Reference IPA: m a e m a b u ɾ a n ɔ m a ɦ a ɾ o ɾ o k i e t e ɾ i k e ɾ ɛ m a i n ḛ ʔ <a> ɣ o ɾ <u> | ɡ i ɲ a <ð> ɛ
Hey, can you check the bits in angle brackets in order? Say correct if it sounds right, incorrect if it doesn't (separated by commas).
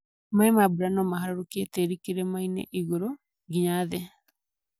incorrect, incorrect, correct